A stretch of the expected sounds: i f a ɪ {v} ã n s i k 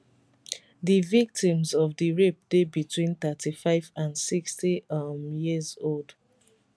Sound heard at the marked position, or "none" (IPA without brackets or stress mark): v